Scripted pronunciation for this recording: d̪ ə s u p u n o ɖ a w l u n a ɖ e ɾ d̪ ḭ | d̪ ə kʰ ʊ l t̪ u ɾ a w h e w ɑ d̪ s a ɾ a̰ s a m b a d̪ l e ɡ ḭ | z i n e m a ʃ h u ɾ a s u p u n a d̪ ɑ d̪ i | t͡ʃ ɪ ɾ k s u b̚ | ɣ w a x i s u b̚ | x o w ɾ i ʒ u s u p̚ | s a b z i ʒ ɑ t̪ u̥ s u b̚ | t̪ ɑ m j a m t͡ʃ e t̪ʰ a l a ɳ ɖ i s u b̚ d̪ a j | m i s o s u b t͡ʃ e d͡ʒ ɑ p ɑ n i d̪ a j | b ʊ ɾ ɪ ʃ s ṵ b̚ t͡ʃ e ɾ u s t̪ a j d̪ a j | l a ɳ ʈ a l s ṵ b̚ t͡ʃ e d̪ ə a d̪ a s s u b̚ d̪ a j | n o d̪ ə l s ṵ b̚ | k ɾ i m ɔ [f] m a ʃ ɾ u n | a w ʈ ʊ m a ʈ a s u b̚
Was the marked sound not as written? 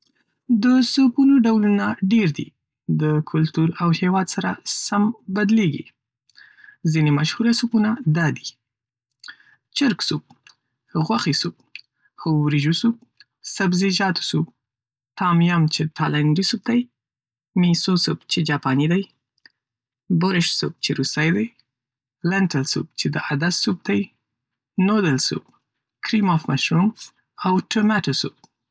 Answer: no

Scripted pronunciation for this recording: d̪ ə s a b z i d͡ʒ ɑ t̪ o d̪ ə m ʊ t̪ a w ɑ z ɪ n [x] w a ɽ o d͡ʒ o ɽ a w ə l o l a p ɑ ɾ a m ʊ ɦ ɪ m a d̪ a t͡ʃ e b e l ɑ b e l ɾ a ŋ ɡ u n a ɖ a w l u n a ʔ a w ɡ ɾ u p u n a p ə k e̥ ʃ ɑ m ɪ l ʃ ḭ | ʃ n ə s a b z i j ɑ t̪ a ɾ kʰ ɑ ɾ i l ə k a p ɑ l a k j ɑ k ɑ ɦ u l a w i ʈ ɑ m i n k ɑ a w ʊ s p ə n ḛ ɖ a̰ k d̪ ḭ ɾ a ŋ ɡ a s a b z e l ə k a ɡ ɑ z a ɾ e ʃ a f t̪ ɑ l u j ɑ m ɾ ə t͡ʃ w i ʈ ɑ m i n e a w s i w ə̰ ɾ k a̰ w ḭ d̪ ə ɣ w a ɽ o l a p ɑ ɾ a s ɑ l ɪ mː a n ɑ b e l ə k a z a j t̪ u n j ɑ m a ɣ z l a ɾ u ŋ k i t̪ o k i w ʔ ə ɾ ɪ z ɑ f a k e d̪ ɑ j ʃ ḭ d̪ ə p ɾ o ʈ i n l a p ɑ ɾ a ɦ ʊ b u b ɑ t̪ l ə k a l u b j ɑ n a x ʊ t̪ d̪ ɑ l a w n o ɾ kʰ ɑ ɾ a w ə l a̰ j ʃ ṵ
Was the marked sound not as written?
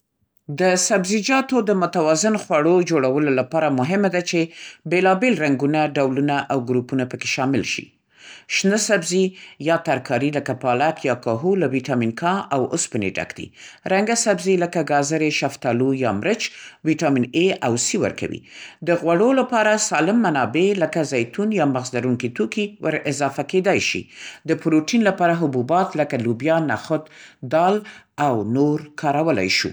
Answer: no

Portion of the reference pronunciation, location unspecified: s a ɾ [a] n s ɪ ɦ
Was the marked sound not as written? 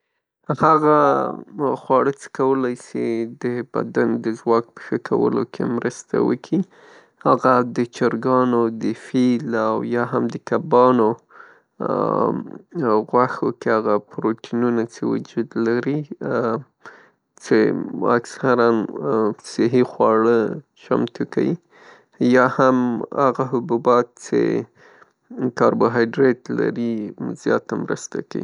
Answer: no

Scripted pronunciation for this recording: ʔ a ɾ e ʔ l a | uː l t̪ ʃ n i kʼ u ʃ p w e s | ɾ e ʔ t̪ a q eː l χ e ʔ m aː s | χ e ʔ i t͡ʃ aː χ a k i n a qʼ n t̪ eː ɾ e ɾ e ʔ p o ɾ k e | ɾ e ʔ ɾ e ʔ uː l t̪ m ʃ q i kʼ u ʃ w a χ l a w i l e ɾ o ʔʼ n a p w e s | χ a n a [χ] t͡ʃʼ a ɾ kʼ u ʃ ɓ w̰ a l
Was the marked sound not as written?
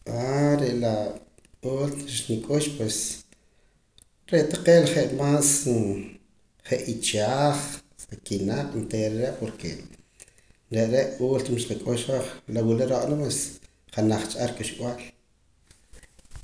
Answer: no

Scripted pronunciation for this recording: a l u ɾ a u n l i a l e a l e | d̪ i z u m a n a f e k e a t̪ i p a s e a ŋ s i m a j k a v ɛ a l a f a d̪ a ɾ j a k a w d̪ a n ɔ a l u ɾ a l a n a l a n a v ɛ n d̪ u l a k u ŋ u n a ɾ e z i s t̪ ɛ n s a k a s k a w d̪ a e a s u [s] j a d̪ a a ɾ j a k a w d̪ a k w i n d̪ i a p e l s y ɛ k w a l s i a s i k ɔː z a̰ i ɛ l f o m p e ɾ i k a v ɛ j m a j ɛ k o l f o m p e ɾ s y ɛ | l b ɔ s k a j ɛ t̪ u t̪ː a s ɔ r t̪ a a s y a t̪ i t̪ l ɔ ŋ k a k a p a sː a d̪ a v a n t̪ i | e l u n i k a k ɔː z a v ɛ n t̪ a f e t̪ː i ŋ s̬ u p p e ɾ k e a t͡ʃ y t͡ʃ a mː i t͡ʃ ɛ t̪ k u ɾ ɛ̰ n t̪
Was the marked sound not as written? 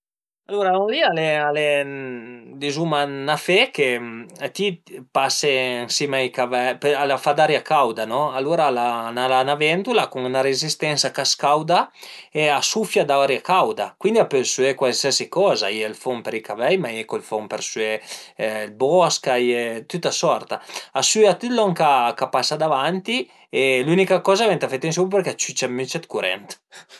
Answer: yes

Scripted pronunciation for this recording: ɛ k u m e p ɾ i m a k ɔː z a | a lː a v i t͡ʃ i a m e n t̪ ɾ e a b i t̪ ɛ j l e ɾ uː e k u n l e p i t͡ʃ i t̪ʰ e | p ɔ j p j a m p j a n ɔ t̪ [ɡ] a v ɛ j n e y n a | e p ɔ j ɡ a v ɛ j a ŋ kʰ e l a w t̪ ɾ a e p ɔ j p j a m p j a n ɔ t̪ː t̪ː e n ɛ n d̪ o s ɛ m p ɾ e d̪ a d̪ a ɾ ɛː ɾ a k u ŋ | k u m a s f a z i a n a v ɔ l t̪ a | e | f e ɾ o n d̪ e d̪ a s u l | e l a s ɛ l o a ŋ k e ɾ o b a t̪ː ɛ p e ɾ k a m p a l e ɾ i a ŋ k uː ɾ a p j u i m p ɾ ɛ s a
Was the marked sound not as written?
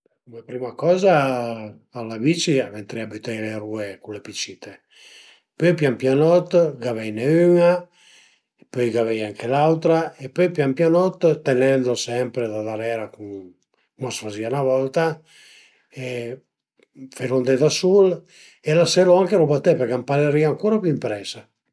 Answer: no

